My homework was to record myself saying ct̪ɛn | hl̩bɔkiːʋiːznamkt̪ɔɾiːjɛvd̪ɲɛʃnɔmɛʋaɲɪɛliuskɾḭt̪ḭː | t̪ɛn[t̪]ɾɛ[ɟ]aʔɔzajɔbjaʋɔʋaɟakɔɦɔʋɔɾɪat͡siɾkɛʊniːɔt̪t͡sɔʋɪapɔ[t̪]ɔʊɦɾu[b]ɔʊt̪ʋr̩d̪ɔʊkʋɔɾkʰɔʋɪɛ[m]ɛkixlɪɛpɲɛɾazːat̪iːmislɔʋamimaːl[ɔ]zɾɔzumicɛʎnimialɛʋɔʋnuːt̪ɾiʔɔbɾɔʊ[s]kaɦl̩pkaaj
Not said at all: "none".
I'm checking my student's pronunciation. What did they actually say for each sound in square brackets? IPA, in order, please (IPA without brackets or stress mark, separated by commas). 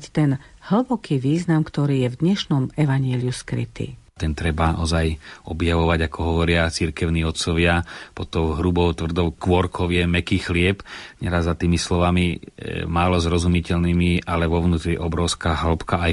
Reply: t̪, b, t̪, b, m, ɔ, s